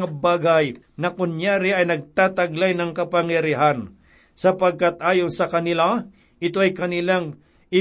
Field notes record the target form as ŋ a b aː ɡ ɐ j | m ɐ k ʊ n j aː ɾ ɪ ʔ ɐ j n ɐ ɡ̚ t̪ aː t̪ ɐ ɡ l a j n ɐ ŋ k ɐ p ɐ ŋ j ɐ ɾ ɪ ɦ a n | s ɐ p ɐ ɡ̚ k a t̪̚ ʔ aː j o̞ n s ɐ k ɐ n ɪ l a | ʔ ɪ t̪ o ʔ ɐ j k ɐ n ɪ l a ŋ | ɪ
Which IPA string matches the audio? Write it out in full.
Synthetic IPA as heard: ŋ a b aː ɡ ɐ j | n ɐ k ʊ n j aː ɾ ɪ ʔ ɐ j n ɐ ɡ̚ t̪ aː t̪ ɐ ɡ l a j n ɐ ŋ k ɐ p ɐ ŋ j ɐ ɾ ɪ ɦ a n | s ɐ p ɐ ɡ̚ k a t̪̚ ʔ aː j o̞ n s ɐ k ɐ n ɪ l a | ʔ ɪ t̪ o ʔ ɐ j k ɐ n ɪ l a ŋ | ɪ